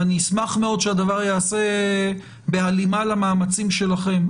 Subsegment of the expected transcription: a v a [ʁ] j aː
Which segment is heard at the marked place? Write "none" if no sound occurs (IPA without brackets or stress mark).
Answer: ʁ